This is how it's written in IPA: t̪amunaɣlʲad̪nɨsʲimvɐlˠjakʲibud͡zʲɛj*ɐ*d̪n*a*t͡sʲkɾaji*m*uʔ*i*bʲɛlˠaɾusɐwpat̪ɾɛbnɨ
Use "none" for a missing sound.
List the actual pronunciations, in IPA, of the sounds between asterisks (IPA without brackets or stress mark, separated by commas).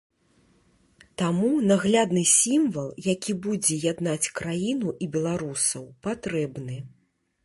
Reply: a, a, n, i